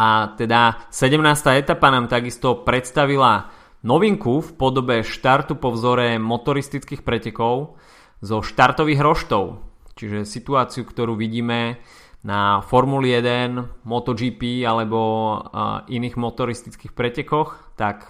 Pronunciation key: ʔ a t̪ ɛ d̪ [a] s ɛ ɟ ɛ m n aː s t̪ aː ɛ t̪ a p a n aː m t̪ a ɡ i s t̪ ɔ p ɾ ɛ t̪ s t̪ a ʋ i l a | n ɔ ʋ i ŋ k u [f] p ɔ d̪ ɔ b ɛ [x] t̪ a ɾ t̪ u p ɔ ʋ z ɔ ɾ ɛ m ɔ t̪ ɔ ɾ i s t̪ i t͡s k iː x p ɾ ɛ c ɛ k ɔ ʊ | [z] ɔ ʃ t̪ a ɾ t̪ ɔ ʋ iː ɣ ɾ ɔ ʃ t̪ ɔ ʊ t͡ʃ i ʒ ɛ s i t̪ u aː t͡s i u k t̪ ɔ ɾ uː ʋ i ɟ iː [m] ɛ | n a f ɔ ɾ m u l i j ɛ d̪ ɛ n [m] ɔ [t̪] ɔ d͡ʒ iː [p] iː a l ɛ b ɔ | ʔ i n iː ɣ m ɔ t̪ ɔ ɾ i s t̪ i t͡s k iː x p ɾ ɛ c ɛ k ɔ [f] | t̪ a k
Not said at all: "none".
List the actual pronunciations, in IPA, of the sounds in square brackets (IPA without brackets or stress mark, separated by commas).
a, f, ʃ, z, m, m, t̪, p, x